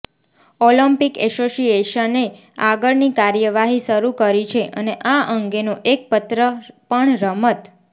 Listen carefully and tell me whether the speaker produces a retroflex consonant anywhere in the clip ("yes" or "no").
yes